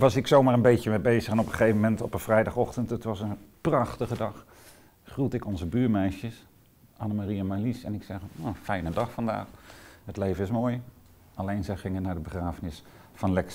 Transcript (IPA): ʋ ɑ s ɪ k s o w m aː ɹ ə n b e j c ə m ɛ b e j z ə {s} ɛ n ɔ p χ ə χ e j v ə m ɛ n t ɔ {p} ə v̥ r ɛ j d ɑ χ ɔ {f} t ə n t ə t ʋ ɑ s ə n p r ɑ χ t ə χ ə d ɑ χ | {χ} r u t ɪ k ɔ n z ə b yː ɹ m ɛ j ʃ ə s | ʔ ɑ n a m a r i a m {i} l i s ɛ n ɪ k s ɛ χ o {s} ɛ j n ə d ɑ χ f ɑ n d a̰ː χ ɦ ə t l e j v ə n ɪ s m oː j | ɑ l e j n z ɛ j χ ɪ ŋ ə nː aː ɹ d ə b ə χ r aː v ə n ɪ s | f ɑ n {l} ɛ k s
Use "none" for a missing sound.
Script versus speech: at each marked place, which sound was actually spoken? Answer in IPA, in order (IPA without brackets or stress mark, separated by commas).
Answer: χ, p, χ, χ, a, f, l